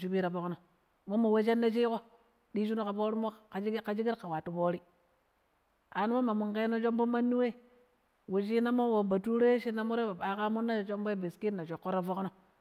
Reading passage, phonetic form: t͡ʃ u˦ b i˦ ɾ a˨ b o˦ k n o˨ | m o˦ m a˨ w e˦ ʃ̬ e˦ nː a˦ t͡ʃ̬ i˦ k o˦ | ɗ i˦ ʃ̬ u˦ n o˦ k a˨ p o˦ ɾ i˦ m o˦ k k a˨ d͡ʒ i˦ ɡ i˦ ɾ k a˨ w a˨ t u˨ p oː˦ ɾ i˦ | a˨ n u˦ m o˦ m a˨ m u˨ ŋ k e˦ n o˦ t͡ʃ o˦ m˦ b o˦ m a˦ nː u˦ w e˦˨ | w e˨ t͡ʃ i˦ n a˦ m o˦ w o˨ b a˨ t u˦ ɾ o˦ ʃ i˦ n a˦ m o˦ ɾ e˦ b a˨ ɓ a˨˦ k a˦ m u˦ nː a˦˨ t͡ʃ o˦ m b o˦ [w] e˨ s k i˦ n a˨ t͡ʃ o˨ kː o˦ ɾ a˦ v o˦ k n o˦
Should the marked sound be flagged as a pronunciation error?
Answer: yes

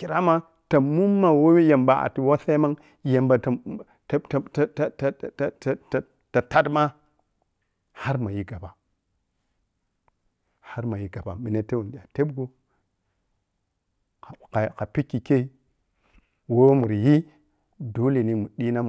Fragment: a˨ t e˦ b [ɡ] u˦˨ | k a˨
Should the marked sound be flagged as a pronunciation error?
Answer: no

